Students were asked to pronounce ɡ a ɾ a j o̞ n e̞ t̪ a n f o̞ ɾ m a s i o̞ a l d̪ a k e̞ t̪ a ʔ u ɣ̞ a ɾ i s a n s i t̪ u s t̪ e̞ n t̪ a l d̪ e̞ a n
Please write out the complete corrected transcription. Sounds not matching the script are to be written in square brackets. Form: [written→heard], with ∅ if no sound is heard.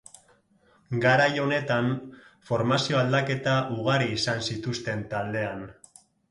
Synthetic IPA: ɡ a ɾ a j o̞ n e̞ t̪ a n f o̞ ɾ m a s i o̞ a l d̪ a k e̞ t̪ a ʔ u ɣ̞ a ɾ [i→iː] s a n s i t̪ u s t̪ e̞ n t̪ a l d̪ e̞ a n